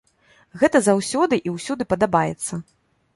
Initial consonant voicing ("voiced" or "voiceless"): voiced